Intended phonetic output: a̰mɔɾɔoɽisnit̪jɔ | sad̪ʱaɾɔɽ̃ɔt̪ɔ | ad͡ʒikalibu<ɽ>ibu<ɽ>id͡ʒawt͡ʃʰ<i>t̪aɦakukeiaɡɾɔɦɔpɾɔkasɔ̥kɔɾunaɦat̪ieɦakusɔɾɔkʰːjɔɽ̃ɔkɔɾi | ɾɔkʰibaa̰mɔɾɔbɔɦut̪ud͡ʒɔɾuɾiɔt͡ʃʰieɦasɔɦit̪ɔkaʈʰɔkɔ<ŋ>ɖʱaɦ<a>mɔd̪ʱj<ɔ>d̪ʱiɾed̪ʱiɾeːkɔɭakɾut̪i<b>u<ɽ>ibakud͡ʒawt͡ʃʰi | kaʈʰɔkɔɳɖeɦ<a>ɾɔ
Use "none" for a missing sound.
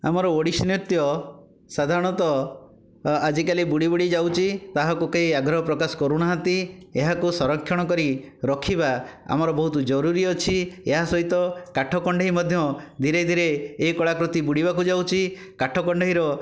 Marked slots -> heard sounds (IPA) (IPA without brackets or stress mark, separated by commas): ɽ, ɽ, i, ɳ, i, ɔ, b, ɽ, i